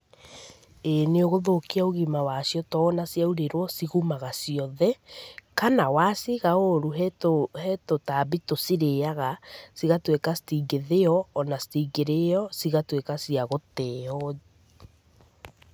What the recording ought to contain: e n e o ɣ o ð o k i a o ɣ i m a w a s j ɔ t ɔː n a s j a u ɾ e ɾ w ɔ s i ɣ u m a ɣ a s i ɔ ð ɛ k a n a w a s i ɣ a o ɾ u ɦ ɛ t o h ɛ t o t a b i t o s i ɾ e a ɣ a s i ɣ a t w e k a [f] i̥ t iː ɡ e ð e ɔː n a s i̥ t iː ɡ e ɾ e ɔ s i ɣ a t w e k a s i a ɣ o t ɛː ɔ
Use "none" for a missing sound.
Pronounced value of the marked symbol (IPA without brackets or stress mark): s